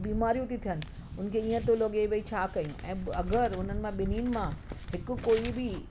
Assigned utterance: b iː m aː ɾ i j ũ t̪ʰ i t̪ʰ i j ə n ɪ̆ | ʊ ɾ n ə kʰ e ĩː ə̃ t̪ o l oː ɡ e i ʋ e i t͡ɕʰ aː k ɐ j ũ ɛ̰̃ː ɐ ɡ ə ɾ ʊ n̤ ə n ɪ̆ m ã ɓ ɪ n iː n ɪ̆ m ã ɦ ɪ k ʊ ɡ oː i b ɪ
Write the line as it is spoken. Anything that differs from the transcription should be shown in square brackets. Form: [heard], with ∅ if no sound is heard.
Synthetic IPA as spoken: b iː m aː ɾ i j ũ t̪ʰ i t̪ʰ i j ə n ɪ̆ | ʊ [∅] n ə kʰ e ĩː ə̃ t̪ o l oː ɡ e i ʋ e i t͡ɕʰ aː k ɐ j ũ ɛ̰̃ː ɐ ɡ ə ɾ ʊ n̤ ə n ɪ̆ m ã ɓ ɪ n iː n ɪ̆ m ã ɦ ɪ k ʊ [k] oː i b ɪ